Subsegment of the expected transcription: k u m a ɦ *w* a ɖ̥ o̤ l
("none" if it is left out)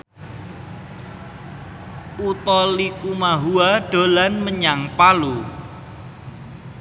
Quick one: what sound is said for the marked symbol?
u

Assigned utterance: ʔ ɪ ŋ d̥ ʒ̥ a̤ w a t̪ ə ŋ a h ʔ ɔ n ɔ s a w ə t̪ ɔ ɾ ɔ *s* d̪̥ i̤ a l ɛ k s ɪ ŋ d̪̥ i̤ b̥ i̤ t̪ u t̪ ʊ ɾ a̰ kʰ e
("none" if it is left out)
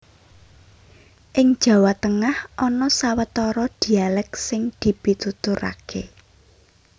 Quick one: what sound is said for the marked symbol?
none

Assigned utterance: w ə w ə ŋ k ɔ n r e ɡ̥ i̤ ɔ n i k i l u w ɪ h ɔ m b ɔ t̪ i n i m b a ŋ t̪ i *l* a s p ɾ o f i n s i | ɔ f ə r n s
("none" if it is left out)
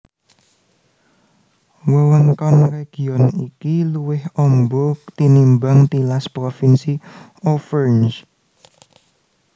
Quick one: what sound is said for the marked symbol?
l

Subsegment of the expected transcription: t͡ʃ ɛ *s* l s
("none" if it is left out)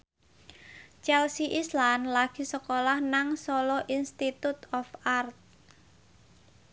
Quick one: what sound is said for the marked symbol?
none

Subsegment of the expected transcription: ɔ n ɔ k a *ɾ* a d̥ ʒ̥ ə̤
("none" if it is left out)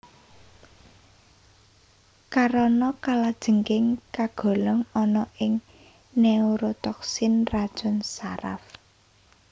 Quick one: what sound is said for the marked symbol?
l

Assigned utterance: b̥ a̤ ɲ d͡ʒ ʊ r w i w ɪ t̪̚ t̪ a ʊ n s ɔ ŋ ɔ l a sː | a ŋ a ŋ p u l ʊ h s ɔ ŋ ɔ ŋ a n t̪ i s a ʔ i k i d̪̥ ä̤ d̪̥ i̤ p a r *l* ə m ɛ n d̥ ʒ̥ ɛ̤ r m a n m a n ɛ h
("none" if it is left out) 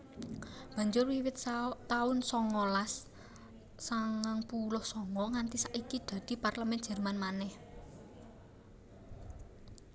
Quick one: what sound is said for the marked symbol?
l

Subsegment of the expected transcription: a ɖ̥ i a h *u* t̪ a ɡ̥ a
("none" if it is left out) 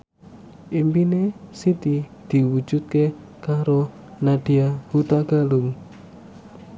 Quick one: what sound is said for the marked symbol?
u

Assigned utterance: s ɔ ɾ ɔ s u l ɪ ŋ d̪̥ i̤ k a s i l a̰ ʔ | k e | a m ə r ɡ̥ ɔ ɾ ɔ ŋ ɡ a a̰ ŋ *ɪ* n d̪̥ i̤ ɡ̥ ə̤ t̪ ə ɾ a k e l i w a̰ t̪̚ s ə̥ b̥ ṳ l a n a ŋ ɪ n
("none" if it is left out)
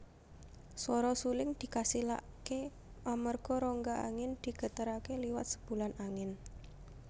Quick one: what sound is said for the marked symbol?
ɪ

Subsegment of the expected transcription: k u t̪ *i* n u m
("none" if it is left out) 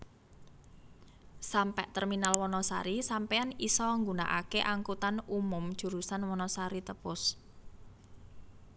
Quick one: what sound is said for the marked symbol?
a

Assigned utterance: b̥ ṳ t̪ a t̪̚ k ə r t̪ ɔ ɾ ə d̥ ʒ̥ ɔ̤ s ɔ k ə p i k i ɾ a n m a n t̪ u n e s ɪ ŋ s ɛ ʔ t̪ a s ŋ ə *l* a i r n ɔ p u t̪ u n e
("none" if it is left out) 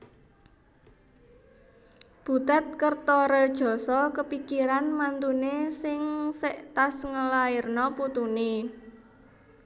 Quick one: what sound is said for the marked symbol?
l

